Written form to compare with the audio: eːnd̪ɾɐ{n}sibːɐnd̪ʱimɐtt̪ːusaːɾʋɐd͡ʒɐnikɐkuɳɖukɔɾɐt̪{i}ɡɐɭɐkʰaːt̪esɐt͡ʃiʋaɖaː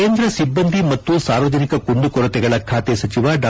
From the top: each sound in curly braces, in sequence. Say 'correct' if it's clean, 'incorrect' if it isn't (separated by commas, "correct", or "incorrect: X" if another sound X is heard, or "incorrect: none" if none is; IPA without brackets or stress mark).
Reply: incorrect: none, incorrect: ɛ